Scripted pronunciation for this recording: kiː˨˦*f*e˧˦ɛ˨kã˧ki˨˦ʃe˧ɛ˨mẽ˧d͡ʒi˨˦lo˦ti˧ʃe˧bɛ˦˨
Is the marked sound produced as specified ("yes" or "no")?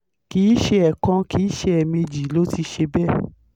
no